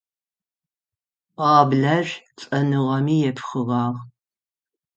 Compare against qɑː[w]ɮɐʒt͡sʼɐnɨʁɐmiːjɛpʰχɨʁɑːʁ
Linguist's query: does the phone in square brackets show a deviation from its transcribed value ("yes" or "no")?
yes